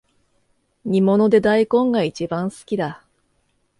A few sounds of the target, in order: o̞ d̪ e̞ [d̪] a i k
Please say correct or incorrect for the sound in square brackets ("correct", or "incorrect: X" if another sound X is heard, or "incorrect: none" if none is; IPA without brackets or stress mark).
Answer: correct